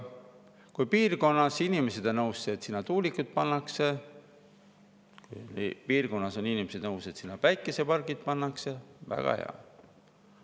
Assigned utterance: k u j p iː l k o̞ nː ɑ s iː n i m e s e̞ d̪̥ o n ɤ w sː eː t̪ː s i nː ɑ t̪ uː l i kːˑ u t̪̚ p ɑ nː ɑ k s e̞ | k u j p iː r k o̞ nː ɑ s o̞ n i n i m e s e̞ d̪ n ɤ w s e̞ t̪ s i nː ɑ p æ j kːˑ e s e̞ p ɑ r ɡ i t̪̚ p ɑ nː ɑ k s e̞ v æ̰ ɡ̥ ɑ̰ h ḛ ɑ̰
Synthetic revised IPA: k u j p iː r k o̞ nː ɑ s i n i m e s e̞ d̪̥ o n ɤ w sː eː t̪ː s i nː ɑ t̪ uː l i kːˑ u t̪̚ p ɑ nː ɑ k s e̞ | k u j p iː r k o̞ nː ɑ s o̞ n i n i m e s e̞ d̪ n ɤ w s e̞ t̪ s i nː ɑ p æ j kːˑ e s e̞ p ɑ r ɡ i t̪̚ p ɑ nː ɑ k s e̞ v æ̰ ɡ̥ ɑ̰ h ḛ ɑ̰

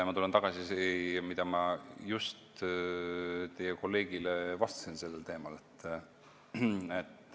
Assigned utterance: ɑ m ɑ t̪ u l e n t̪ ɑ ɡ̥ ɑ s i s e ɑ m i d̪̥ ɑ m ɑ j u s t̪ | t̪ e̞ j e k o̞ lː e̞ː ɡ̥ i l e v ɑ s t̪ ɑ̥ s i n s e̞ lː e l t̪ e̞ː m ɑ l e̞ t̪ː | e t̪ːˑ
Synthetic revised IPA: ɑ m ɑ t̪ u l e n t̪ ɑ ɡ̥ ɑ s i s e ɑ m i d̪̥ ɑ m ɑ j u s t̪ | t̪ e̞ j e k o̞ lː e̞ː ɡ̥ i l e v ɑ s t̪ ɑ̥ s i n s e̞ lː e l t̪ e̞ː m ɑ l e̞ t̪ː | e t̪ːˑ

